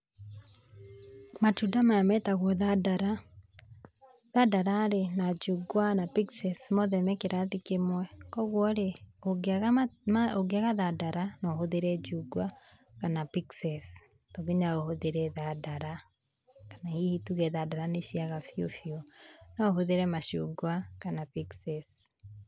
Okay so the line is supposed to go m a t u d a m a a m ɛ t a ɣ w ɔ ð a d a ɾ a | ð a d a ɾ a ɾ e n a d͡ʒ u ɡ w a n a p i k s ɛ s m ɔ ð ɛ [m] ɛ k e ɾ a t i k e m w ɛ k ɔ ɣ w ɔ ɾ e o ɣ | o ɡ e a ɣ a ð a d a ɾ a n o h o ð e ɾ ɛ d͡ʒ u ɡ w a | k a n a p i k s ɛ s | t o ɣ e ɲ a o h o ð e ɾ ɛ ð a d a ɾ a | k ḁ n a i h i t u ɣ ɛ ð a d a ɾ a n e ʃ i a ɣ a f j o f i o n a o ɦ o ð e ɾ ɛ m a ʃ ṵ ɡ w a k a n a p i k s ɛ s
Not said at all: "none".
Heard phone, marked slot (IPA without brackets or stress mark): m